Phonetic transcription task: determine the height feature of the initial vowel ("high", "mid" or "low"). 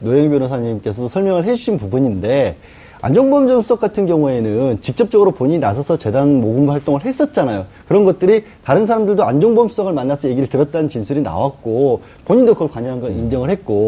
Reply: mid